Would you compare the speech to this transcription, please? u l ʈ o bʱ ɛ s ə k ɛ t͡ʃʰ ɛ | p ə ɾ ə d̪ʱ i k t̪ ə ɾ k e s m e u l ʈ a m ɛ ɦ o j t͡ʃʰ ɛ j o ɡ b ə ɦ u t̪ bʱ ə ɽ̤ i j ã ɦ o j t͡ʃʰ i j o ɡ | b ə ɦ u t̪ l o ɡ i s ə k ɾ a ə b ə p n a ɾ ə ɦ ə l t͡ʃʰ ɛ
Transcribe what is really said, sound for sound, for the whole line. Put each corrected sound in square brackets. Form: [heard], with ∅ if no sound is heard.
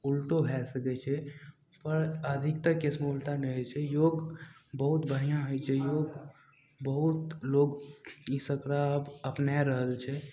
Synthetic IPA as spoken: u l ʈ o bʱ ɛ s ə k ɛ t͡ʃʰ ɛ | p ə ɾ ə d̪ʱ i k t̪ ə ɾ k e s m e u l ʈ a [n] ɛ ɦ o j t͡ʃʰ ɛ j o ɡ b ə ɦ u t̪ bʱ ə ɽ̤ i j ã ɦ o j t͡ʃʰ [ɛ] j o ɡ | b ə ɦ u t̪ l o ɡ i s ə k ɾ a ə b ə p n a ɾ ə ɦ ə l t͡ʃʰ ɛ